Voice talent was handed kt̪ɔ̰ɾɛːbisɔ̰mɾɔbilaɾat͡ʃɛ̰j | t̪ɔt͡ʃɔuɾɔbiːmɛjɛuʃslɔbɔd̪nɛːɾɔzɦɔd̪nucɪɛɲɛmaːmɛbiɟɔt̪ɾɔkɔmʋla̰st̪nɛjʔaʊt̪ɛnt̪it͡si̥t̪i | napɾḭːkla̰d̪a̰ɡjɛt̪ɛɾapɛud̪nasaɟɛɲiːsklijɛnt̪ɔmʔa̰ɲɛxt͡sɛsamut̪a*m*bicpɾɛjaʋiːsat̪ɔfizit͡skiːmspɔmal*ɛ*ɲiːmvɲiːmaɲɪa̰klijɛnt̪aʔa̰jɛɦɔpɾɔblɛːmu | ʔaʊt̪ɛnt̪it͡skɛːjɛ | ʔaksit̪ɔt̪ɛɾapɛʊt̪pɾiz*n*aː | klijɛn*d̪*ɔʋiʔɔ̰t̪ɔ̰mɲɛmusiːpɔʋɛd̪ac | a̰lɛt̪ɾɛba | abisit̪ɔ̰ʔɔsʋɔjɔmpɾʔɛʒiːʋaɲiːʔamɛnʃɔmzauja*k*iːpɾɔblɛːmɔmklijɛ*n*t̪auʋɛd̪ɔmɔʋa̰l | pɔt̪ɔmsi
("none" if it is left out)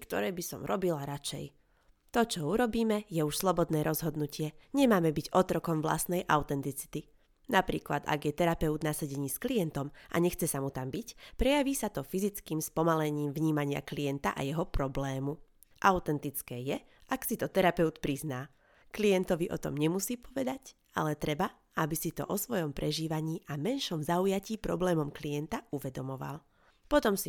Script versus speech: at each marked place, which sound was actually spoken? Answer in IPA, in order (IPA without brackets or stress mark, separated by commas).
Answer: m, ɛ, n, t̪, c, n